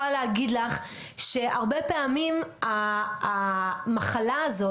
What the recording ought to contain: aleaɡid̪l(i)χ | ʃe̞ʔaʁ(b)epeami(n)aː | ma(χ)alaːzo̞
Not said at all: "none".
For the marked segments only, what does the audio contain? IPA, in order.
a, b, m, χ

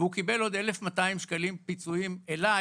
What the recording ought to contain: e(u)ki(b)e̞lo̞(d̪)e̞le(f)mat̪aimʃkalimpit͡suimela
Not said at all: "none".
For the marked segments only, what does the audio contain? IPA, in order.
u, b, d̪, f

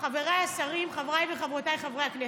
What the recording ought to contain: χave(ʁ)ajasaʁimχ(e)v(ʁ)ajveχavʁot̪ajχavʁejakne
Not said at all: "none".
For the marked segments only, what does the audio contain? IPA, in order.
ʁ, a, ʁ

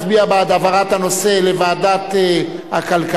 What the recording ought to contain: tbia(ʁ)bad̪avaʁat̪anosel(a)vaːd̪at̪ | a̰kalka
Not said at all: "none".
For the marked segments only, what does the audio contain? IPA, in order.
none, e

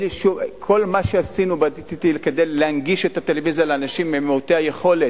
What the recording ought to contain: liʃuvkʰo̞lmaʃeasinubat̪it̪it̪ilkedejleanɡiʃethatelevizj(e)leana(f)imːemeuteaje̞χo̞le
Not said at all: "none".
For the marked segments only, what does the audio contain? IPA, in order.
a, ʃ

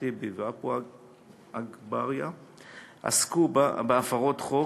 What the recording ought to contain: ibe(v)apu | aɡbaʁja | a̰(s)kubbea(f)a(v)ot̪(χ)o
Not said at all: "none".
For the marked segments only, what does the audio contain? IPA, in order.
v, s, f, ʁ, χ

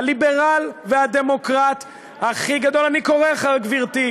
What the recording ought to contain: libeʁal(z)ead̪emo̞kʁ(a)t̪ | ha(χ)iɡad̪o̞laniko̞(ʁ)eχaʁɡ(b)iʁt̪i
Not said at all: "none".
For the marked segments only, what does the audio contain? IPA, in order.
v, a, χ, ʁ, v

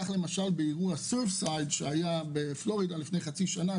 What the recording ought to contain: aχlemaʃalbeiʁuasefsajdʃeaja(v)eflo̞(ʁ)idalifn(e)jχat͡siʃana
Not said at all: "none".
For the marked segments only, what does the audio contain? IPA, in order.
b, ʁ, e

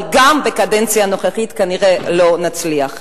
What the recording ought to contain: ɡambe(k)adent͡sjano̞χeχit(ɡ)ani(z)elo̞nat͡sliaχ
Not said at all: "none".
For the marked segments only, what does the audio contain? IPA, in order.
k, k, ʁ

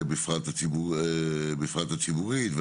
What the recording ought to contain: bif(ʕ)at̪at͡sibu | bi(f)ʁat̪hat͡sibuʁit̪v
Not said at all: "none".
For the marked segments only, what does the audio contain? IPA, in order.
ʁ, f

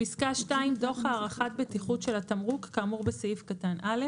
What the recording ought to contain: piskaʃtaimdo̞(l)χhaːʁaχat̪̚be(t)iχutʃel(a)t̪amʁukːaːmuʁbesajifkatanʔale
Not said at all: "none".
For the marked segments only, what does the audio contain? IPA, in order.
none, t, a

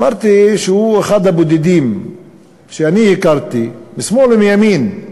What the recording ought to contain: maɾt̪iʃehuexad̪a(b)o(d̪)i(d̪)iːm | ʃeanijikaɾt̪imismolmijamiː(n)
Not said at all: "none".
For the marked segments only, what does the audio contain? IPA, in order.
b, d̪, d̪, n

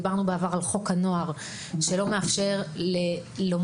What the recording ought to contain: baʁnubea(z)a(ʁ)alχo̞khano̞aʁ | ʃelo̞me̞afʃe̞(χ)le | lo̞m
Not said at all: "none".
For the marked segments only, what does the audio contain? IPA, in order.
v, ʁ, ʁ

